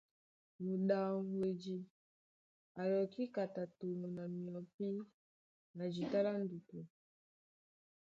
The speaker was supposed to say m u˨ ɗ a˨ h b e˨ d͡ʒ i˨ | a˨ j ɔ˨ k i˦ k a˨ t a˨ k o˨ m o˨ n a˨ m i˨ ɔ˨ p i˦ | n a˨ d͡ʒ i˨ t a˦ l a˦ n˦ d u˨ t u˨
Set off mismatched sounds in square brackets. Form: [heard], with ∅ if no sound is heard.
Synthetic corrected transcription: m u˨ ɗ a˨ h [w] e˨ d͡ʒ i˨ | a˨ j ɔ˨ k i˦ k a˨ t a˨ [t] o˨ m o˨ n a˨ m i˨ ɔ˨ p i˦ | n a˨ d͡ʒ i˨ t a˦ l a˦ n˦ d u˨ t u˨